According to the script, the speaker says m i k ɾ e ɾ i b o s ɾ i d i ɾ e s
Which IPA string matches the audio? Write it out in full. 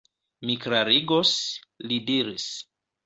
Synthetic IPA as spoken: m i k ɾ a ɾ i ɡ o s l i d i ɾ i s